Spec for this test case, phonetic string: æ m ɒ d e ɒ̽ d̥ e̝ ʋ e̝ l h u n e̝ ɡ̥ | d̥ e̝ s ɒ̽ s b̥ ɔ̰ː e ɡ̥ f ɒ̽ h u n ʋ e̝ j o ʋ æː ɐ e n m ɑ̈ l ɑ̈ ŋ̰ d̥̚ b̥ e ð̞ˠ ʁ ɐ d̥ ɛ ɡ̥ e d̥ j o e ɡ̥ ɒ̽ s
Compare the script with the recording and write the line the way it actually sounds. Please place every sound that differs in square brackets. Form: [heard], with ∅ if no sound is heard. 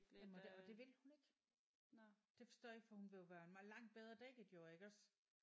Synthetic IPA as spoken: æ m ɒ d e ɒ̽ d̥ e̝ ʋ e̝ l h u n e̝ ɡ̥ | d̥ e̝ [f] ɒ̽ s [d̥] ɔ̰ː e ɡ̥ f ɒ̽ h u n ʋ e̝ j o ʋ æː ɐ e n m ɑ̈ l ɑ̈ ŋ̰ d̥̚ b̥ e ð̞ˠ ʁ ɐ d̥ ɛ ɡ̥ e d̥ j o e ɡ̥ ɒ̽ s